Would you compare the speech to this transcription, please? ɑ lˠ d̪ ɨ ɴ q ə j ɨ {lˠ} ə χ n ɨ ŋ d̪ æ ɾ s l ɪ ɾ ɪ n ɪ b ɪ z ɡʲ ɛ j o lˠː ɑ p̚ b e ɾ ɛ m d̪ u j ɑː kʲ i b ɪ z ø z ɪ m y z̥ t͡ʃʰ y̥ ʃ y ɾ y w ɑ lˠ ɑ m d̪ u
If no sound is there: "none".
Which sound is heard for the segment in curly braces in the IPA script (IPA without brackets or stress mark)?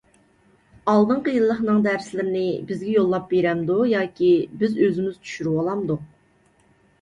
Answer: lˠː